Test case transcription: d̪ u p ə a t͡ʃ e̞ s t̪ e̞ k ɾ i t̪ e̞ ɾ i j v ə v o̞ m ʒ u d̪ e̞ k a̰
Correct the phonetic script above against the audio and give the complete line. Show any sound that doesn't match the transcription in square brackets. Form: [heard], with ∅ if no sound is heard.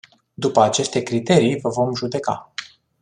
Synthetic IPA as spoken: d̪ u p ə a t͡ʃ e̞ s t̪ e̞ k ɾ i t̪ e̞ ɾ i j v ə v o̞ m ʒ u d̪ e̞ k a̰